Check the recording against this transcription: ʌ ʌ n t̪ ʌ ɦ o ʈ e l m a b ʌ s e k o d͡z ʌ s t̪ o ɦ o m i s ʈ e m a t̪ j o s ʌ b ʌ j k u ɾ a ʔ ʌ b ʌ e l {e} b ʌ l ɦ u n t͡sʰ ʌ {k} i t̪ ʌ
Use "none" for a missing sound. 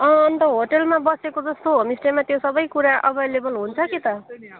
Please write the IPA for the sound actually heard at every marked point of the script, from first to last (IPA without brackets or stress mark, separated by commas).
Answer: e, k